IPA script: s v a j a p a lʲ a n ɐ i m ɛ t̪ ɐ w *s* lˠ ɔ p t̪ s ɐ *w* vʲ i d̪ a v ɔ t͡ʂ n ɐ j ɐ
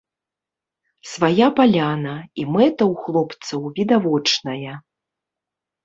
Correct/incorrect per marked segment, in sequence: incorrect, correct

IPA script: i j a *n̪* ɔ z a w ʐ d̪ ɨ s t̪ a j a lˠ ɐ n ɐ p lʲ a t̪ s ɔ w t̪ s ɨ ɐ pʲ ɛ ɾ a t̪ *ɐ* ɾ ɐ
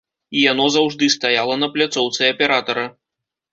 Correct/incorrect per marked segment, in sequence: correct, correct

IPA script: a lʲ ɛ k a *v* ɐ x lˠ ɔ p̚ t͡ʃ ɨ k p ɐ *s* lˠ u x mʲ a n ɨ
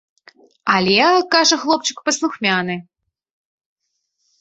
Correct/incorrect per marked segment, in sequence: incorrect, correct

